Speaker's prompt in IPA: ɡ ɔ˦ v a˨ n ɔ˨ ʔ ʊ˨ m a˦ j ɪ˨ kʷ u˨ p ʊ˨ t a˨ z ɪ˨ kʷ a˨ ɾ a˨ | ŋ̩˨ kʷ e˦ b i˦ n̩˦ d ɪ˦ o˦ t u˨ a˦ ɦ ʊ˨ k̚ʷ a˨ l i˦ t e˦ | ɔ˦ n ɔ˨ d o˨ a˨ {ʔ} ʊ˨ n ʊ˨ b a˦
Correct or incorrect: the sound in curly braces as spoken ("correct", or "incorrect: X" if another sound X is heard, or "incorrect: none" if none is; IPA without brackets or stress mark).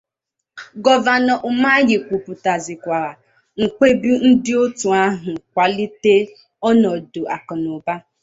incorrect: k